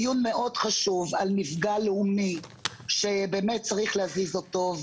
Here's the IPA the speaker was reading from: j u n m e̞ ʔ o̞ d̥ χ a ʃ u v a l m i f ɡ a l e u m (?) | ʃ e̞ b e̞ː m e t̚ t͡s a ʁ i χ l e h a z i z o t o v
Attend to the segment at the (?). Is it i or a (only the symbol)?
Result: i